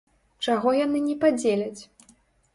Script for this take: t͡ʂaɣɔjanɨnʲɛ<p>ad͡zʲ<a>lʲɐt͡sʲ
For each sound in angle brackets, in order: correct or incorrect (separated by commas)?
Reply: correct, incorrect